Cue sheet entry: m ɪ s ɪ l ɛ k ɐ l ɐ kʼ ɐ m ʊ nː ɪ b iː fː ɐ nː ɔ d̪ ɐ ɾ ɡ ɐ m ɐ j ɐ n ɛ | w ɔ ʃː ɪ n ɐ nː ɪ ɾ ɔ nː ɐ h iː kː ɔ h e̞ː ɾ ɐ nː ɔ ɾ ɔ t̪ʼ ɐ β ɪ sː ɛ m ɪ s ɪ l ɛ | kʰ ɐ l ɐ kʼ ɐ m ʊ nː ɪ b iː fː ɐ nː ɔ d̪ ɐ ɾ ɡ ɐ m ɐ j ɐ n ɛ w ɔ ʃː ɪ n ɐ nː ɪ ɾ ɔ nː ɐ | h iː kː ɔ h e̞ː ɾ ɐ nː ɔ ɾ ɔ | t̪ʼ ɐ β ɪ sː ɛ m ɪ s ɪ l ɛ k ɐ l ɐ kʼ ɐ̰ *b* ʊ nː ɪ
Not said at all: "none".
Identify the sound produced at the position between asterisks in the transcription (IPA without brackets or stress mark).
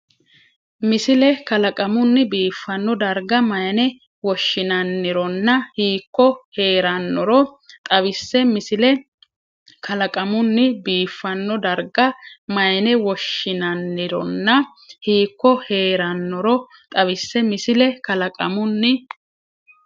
m